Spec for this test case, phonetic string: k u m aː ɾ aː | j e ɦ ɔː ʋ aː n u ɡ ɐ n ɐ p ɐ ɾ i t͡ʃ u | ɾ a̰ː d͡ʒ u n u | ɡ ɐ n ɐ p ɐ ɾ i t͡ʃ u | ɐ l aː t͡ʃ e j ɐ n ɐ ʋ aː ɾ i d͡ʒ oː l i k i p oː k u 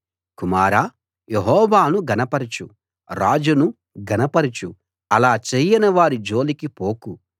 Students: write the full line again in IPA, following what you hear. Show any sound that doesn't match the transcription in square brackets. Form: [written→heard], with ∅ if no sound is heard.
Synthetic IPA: k u m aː ɾ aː | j e ɦ ɔː ʋ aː n u ɡ ɐ n ɐ p ɐ ɾ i t͡ʃ u | ɾ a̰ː d͡ʒ u n u | ɡ ɐ n ɐ p ɐ ɾ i t͡ʃ u | ɐ l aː t͡ʃ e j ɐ n ɐ ʋ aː ɾ i d͡ʒ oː l i k i p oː k u